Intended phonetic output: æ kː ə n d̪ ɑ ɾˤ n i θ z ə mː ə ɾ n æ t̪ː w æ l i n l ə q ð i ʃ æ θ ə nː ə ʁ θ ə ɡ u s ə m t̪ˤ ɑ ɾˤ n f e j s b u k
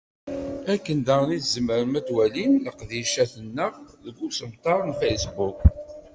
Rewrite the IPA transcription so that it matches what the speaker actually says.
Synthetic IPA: æ kː ə n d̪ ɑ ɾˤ n i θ z ə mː ə ɾ m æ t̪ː w æ l i n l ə q ð i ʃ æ θ ə nː ə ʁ ð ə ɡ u s ə m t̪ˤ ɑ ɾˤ n f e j s b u k